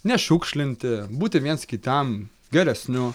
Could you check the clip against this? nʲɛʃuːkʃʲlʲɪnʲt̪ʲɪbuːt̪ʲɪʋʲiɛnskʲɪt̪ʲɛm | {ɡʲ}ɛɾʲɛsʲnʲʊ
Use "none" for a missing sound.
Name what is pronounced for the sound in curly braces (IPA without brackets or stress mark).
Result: ɡʲ